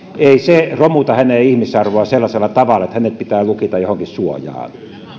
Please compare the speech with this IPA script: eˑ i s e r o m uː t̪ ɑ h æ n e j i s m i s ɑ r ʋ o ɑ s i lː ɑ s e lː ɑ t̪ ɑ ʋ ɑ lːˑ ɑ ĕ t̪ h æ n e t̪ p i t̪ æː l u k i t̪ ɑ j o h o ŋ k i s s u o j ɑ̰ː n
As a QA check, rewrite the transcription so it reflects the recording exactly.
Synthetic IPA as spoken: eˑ i s e r o m u t̪ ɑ h æ n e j i h m i s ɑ r ʋ o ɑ s e lː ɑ s e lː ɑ t̪ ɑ ʋ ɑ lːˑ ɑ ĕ t̪ h æ n e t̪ p i t̪ æː l u k i t̪ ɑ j o h o ŋ k i s s u o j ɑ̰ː n